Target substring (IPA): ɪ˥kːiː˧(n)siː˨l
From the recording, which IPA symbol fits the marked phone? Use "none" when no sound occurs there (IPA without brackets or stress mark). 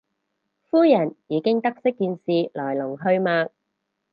n